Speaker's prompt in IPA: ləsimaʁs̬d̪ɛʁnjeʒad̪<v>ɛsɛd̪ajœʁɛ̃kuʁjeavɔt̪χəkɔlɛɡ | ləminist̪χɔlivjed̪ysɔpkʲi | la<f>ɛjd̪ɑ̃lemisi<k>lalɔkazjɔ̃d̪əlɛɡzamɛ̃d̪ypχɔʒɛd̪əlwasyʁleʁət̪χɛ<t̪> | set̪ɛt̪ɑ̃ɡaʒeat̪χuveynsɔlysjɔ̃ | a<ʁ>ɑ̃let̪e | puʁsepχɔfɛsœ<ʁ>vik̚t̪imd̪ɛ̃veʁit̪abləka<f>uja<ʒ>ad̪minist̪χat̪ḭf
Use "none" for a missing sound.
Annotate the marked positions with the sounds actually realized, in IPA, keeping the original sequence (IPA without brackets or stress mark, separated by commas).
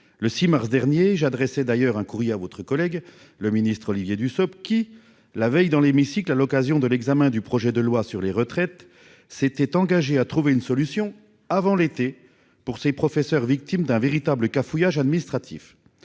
ʁ, v, k, t̪, v, ʁ, f, ʒ